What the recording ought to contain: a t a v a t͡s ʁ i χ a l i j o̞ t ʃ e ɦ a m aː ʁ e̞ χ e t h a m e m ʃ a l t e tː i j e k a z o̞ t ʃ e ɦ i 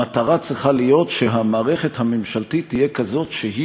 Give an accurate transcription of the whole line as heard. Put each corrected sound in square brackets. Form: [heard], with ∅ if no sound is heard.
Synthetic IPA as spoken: a t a [ʁ] a t͡s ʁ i χ a l i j o̞ t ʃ e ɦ a m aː ʁ e̞ χ e t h a m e m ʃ a l t [i] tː i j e k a z o̞ t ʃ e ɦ i

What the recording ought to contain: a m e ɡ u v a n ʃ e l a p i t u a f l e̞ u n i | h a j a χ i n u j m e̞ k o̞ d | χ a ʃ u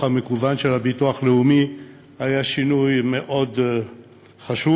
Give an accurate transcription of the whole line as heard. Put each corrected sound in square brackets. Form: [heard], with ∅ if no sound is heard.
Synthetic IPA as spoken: a m e [k] u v a n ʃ e l a [b] i t u a [χ] l e̞ u [m] i | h a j a [ʃ] i n u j m e̞ [ʔ] o̞ d | χ a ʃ u

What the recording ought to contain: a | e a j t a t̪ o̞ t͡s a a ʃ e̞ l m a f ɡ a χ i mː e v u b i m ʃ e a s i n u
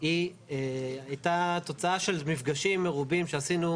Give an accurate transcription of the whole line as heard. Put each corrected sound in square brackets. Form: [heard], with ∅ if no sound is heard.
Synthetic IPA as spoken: [i] | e a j t a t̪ o̞ t͡s a a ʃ e̞ l m [i] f ɡ a [ʃ] i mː e [ʁ] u b i m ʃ e a s i n u

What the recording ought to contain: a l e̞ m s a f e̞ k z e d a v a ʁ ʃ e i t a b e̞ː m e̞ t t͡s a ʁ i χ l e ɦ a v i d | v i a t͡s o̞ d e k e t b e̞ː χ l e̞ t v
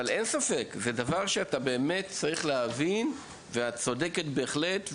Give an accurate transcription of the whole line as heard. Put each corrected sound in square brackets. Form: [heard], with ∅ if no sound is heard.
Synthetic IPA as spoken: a l e̞ [n] s a f e̞ k z e d a v a ʁ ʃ e [a] t a b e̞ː m e̞ t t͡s a ʁ i χ l e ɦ a v i [n] | v [e] a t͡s o̞ d e k e t b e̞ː χ l e̞ t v

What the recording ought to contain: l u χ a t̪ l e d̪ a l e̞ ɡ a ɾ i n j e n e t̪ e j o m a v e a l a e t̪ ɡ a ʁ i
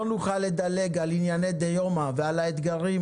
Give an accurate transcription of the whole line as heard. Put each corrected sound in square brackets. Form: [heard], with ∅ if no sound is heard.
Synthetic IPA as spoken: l u χ a [∅] l e d̪ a l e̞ ɡ a [l] i n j [a] n e [d̪] e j o m a v e a l a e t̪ ɡ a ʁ i

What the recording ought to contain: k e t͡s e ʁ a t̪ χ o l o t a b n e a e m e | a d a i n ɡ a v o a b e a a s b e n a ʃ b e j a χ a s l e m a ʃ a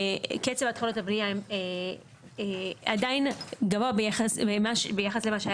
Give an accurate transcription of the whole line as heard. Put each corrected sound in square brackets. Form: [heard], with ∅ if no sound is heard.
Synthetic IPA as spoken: k e t͡s e [v] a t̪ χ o l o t a b n [i] a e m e | a d a i n ɡ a v o a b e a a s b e [m] a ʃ b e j a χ a s l e m a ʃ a

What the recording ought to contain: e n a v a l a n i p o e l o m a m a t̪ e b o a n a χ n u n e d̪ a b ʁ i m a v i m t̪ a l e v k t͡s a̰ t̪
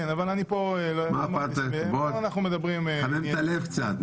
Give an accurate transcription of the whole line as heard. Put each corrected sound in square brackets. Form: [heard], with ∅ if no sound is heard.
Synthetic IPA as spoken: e n a v a l a n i p o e l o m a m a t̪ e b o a n a χ n u [m] e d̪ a b ʁ i m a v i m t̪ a l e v k t͡s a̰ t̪

